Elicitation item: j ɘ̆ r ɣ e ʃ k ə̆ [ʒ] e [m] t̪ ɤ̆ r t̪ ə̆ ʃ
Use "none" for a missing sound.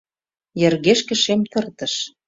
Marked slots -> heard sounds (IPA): ʃ, m

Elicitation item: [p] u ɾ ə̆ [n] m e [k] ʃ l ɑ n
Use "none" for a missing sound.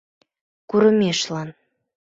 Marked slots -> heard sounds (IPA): k, none, none

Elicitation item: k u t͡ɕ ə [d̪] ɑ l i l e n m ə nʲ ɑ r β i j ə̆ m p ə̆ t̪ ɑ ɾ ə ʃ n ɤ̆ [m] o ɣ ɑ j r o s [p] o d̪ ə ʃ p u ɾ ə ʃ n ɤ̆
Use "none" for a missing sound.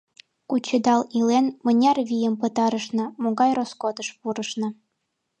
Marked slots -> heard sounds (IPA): d̪, m, k

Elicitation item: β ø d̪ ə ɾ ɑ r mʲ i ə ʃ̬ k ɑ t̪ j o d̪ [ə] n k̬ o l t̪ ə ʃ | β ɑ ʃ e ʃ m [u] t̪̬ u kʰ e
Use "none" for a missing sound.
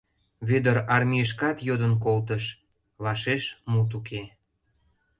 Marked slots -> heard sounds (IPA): ə, u

